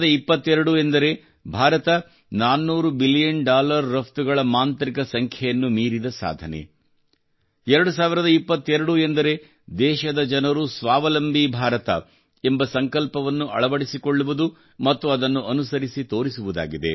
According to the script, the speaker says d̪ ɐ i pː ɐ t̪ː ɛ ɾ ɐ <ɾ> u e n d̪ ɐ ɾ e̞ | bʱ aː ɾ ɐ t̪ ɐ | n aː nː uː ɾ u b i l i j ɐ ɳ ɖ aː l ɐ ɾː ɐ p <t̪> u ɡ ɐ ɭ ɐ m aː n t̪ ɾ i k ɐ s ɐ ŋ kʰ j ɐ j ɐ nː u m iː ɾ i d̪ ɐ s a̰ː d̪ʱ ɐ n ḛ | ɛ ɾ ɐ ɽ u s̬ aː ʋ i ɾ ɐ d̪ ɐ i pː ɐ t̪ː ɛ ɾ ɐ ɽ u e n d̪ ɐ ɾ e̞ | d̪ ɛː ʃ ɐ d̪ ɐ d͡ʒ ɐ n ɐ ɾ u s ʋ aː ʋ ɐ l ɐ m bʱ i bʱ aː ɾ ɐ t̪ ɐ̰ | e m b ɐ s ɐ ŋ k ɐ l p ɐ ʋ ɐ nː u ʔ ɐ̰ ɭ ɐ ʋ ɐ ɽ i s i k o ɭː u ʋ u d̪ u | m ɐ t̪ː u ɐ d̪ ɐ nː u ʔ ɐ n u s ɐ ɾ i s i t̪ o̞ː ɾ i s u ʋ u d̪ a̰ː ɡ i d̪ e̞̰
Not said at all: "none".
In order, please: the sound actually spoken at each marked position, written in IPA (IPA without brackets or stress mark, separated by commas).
ɽ, t̪